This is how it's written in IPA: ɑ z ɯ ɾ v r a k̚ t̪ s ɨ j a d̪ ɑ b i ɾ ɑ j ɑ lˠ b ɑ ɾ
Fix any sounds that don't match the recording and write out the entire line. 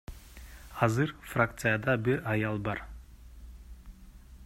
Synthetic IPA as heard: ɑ z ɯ ɾ f r a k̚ t̪ s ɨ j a d̪ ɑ b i ɾ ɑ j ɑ lˠ b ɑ ɾ